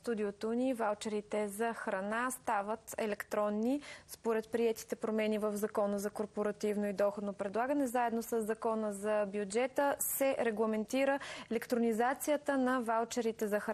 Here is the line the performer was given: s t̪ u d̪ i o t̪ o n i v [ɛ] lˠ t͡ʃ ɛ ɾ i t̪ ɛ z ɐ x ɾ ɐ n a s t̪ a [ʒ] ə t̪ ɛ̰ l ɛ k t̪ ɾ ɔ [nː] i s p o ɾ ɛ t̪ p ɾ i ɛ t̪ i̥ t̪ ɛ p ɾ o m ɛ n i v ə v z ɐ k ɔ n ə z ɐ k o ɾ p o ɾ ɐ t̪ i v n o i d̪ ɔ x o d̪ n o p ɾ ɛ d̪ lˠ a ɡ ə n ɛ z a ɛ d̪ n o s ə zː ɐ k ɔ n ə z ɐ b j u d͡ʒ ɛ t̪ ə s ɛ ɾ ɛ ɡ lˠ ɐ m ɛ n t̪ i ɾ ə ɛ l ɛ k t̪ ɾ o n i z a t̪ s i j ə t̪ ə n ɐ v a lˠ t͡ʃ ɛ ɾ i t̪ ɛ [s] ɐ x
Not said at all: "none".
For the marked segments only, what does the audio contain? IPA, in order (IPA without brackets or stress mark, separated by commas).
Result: a, v, nː, z